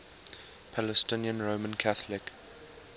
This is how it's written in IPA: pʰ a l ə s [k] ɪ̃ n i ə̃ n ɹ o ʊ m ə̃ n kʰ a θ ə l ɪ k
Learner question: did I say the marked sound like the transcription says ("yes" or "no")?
no